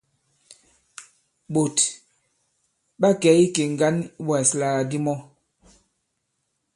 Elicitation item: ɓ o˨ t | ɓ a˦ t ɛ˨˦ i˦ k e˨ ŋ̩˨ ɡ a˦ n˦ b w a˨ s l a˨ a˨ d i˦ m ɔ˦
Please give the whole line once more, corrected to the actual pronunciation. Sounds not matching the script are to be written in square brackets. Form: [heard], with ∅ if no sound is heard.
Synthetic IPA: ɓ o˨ t | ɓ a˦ [k] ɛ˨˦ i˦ k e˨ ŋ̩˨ ɡ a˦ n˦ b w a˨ s l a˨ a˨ d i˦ m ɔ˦